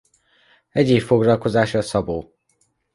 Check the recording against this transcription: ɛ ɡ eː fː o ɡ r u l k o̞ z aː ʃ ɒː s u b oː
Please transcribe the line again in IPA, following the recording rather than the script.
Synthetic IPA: ɛ ɟ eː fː o ɡ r ɒ l k o̞ z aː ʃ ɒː s ɒ b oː